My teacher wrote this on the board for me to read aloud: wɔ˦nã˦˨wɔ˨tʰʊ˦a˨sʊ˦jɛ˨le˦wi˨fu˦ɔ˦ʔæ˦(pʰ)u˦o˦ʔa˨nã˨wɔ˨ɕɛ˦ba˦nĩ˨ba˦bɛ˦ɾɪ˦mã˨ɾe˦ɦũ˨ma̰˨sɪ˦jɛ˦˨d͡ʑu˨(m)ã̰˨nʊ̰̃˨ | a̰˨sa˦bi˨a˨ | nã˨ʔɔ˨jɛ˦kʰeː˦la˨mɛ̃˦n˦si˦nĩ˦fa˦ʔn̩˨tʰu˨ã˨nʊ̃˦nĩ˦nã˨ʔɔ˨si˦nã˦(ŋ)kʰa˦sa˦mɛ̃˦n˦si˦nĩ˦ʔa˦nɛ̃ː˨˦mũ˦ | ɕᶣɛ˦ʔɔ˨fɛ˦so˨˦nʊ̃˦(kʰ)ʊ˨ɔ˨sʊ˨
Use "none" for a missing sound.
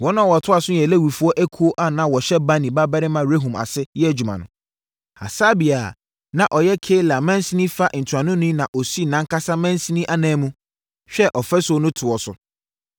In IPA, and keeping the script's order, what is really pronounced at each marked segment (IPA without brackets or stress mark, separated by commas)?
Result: kʰ, m, ŋ, tʰ